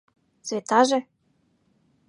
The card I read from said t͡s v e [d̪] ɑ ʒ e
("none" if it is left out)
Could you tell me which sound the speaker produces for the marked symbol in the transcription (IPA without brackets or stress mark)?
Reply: t̪